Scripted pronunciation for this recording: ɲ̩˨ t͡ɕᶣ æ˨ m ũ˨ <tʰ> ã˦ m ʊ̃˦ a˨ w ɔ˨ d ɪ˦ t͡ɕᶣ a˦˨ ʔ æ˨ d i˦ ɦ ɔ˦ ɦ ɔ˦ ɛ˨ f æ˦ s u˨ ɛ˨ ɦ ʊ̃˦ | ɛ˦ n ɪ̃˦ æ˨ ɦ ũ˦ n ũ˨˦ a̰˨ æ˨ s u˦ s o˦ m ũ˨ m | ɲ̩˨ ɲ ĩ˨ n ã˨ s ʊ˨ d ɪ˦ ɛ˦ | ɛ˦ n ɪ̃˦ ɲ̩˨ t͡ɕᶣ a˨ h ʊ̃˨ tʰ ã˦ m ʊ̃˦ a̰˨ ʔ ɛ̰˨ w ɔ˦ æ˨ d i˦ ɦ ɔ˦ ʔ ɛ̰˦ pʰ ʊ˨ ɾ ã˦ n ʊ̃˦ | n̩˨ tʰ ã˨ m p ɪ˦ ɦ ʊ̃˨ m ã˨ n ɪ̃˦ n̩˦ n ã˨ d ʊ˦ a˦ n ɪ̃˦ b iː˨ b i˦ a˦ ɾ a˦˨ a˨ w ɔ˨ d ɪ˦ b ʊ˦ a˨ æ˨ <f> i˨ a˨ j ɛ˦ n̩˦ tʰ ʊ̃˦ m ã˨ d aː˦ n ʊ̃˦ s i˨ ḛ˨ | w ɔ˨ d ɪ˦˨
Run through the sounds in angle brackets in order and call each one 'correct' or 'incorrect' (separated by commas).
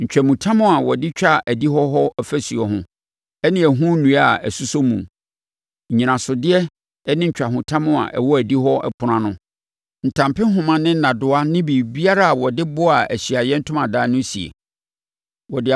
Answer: correct, incorrect